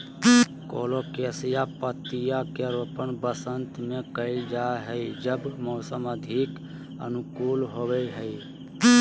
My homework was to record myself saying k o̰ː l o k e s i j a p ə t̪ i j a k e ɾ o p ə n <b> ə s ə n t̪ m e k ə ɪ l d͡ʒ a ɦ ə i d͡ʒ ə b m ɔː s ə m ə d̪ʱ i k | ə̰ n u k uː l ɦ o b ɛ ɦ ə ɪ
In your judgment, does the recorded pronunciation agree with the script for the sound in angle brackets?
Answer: yes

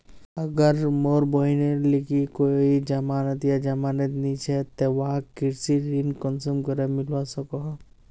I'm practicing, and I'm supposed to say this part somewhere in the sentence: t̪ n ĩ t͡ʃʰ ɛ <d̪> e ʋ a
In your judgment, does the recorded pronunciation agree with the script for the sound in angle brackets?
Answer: no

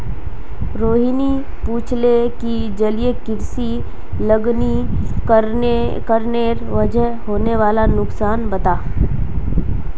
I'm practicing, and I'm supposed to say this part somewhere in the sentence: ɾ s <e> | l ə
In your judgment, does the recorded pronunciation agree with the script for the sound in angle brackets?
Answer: no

